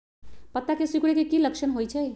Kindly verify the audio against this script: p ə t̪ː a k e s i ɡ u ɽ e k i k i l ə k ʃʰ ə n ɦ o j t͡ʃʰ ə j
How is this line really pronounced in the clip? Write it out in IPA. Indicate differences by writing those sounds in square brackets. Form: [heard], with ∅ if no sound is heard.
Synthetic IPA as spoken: p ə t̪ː a k e s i [k] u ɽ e k [e] k i l ə k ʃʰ ə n ɦ o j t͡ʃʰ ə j